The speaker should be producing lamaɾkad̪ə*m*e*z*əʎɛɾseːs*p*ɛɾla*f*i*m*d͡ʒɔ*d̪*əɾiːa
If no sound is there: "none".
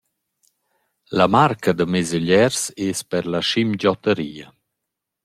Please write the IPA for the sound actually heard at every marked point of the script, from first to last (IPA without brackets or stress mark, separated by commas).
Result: m, z, p, ʃ, m, t̪